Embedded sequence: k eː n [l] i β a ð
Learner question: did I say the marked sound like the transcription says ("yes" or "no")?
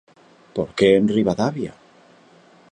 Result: no